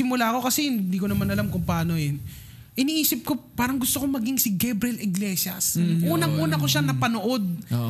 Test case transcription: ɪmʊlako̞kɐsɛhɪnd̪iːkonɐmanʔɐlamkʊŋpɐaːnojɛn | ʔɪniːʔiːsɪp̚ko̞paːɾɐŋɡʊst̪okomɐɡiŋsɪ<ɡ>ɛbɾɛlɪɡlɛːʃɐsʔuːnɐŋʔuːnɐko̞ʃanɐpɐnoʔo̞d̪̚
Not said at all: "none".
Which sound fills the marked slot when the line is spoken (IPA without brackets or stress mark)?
ɡ